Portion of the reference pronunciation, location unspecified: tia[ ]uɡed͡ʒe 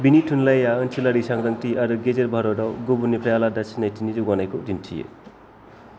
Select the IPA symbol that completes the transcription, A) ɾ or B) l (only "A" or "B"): A